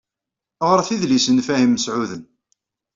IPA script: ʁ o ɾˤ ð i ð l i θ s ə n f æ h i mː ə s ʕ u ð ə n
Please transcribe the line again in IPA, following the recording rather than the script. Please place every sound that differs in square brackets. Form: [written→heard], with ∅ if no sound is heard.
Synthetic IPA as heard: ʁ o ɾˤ [ð→θ] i ð l i [θ→∅] s ə n f æ h i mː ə s ʕ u ð ə n